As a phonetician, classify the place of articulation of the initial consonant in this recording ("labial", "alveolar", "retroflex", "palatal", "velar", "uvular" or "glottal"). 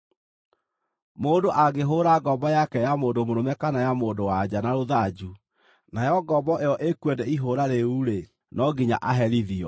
labial